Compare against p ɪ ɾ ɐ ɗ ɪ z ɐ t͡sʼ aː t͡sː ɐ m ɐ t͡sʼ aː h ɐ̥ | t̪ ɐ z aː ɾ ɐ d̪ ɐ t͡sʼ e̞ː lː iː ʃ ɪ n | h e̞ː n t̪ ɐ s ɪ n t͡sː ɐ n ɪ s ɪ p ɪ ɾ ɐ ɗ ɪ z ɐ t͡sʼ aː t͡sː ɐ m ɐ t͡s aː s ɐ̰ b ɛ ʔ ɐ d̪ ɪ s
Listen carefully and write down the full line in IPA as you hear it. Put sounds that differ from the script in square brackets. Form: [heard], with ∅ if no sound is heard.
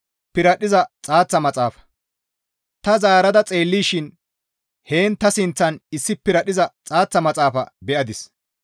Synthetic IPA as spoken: p ɪ ɾ ɐ ɗ ɪ z ɐ t͡sʼ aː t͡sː ɐ m ɐ t͡sʼ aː [f] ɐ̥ | t̪ ɐ z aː ɾ ɐ d̪ ɐ t͡sʼ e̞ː lː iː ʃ ɪ n | h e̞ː n t̪ ɐ s ɪ n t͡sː ɐ n ɪ [sː] ɪ p ɪ ɾ ɐ ɗ ɪ z ɐ t͡sʼ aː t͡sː ɐ m ɐ [t͡sʼ] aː [f] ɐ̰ b ɛ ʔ ɐ d̪ ɪ s